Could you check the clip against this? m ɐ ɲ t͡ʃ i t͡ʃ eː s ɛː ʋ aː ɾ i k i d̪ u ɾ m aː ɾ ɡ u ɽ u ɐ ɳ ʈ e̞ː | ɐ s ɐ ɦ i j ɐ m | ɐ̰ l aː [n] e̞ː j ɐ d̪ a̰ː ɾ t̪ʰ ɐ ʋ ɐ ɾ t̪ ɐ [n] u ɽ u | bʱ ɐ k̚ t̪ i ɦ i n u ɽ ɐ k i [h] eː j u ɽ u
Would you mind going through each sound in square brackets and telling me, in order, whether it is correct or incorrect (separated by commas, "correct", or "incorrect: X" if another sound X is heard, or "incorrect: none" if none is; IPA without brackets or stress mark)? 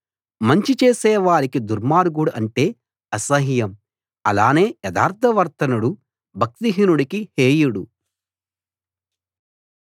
correct, correct, correct